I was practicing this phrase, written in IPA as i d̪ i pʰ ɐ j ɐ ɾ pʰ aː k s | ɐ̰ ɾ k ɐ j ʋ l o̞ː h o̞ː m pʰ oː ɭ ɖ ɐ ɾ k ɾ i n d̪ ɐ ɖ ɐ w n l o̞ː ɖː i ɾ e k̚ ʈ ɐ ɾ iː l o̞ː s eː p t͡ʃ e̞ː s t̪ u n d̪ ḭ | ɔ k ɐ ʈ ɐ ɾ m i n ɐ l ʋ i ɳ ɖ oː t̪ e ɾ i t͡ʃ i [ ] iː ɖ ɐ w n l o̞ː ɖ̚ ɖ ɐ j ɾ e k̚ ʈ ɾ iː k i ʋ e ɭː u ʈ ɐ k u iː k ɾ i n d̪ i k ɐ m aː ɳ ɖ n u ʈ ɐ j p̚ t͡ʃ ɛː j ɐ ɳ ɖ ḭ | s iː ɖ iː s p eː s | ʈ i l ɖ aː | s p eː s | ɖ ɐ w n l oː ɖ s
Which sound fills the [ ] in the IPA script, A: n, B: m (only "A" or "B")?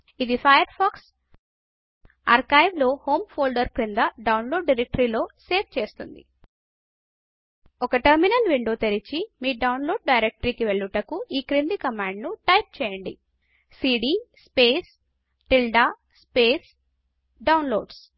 B